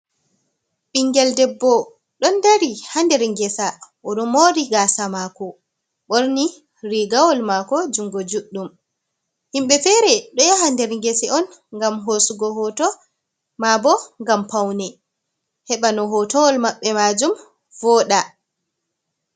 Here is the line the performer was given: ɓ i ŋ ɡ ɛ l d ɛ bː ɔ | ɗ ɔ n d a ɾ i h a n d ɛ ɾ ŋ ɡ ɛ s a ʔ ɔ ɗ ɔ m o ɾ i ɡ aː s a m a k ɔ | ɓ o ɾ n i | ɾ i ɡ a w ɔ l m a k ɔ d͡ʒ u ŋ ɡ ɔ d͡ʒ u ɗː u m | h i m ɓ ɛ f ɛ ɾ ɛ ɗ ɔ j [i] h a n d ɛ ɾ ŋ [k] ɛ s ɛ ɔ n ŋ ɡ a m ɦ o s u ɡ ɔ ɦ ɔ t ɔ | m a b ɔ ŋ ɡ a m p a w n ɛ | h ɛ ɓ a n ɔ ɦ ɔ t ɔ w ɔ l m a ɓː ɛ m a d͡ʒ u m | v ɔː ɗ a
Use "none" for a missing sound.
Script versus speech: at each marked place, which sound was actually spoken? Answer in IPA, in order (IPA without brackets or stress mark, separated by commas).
a, ɡ